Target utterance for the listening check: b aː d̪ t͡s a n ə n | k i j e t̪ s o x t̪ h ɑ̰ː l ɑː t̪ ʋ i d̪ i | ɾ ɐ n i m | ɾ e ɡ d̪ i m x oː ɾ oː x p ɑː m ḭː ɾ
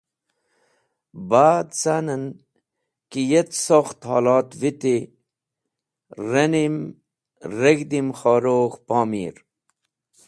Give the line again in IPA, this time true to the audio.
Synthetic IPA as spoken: b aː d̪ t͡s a n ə n | k i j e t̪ s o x t̪ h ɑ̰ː l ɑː t̪ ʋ i t̪ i | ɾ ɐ n i m | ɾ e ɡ d̪ i m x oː ɾ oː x p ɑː m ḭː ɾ

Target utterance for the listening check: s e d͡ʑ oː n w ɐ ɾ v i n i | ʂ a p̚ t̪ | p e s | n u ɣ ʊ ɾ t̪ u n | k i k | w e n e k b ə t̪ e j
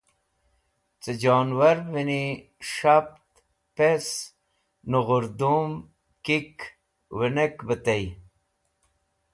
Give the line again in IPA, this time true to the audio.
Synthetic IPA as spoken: t͡s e d͡ʑ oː n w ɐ ɾ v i n i | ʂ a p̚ t̪ | p e s | n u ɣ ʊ ɾ d̪ u m | k i k | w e n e k b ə t̪ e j

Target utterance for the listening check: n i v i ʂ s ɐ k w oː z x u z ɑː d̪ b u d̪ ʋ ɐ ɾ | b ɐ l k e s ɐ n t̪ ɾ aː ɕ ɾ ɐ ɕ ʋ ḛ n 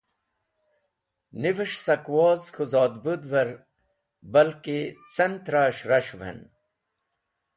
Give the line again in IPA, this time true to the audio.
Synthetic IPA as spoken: n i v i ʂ s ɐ k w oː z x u z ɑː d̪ b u d̪ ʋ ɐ ɾ | b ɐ l k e t͡s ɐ n t̪ ɾ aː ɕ ɾ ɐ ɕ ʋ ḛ n

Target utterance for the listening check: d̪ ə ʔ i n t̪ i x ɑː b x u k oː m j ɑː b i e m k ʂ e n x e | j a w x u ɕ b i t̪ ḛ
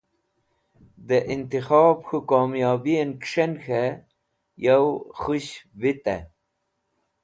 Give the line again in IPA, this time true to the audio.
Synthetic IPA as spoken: d̪ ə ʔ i n t̪ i x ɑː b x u k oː m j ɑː b i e n k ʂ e n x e | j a w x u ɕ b i t̪ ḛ

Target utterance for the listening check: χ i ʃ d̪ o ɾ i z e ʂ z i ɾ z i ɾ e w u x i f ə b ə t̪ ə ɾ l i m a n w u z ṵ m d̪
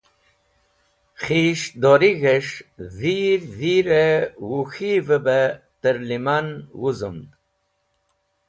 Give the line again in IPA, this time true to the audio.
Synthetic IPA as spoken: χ i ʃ d̪ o ɾ i ɣ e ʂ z i ɾ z i ɾ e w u x i v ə b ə t̪ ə ɾ l i m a n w u z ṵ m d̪

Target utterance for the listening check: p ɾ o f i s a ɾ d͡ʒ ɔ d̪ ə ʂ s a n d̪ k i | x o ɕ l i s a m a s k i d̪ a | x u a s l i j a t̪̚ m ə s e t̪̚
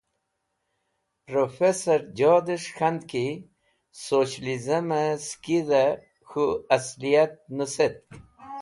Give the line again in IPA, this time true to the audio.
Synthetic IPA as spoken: p ɾ o f e s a ɾ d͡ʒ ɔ d̪ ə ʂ x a n d̪ k i | s o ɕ l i z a m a s k i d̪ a | x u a s l i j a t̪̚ n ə s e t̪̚

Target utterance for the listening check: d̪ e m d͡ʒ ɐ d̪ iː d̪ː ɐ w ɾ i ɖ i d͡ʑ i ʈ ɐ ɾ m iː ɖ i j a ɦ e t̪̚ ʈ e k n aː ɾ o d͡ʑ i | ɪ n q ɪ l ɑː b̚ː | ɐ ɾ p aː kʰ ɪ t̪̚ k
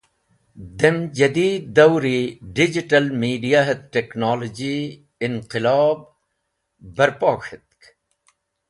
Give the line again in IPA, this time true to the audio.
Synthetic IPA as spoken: d̪ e m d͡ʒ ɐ d̪ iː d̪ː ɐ w ɾ i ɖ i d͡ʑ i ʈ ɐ l m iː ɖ i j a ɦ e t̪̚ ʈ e k n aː l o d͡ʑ i | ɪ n q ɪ l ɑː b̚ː | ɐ ɾ p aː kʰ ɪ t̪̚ k

